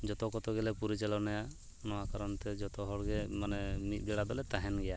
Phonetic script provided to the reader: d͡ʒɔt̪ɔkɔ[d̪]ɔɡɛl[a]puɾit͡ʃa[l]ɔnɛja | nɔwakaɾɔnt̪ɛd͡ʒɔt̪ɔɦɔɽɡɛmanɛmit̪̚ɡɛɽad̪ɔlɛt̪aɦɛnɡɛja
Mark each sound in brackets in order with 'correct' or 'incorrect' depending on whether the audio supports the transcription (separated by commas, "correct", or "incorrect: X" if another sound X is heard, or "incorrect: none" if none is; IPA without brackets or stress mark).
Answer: incorrect: t̪, incorrect: ɛ, correct